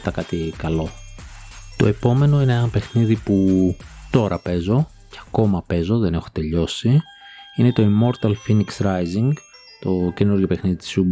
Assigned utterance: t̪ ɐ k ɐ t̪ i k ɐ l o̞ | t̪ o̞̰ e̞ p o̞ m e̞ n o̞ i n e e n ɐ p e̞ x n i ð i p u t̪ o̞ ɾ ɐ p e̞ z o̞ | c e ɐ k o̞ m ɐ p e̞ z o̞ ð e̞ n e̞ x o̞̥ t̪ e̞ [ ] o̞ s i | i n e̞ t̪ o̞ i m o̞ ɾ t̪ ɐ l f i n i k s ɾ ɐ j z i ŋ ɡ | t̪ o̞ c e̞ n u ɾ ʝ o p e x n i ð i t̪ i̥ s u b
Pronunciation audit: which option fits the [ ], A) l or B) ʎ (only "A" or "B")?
B